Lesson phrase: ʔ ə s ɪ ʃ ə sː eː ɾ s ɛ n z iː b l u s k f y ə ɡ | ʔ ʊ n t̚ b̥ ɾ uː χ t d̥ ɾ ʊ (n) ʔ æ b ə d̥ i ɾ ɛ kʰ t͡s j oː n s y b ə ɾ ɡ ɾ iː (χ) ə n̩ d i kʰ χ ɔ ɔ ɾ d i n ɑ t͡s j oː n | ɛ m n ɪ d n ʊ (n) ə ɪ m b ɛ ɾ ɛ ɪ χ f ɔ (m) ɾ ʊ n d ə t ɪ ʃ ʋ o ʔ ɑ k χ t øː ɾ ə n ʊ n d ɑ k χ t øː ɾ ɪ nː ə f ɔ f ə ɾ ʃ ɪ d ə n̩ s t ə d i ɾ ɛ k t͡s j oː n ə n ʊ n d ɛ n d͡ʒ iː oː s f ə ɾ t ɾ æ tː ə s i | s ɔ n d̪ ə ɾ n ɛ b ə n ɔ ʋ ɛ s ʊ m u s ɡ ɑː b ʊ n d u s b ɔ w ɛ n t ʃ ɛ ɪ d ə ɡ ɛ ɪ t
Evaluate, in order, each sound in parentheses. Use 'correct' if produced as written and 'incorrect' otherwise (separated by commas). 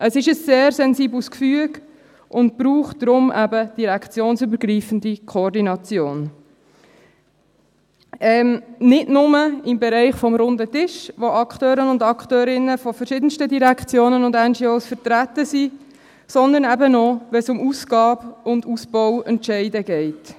incorrect, incorrect, incorrect, correct